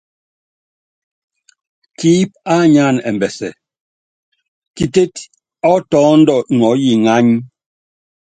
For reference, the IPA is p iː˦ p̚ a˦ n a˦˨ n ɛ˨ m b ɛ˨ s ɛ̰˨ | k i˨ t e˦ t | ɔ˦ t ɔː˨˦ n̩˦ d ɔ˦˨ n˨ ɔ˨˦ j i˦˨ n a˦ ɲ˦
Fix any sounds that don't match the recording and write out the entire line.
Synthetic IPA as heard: k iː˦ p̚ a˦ ɲ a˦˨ n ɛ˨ m b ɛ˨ s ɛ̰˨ | k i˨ t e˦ t | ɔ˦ t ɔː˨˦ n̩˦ d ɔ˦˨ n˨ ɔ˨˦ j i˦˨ ŋ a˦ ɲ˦